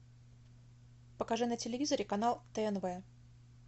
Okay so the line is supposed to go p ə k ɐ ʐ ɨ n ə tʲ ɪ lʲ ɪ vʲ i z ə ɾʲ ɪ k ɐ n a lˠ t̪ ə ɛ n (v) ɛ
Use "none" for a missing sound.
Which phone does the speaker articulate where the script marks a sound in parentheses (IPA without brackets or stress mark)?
v